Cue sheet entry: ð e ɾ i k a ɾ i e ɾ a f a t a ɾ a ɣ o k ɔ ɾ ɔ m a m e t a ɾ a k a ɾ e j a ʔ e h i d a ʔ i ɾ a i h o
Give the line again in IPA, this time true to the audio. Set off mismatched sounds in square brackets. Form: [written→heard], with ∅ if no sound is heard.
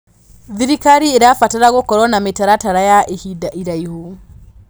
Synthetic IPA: ð [e→i] ɾ i k a ɾ i e ɾ a f a t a ɾ a ɣ o k ɔ ɾ ɔ [m→n] a m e t a ɾ a [k→t] a ɾ [e→a] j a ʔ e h i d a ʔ i ɾ a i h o